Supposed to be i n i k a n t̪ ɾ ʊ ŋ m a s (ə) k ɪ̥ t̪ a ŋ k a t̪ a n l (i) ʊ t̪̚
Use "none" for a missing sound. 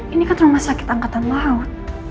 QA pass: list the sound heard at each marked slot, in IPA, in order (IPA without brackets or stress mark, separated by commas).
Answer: a, a